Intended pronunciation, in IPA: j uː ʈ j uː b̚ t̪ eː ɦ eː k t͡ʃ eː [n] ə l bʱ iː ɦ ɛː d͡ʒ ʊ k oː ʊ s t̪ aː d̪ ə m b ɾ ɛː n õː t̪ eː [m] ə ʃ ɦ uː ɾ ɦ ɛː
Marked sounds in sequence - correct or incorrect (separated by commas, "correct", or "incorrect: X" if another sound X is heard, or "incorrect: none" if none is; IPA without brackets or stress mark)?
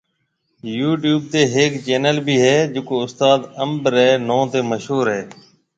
correct, correct